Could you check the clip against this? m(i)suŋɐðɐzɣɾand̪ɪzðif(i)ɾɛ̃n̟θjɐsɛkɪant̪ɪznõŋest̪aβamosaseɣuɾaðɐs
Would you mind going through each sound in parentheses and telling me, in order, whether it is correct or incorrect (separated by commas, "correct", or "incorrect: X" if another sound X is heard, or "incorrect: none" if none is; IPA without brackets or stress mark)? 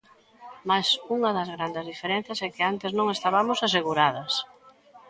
incorrect: a, incorrect: e